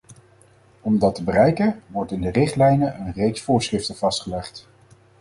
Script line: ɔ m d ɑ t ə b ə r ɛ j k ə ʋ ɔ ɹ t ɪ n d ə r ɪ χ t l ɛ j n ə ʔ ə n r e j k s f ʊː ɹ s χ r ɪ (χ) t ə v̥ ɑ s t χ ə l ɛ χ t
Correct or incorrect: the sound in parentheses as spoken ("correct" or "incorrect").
incorrect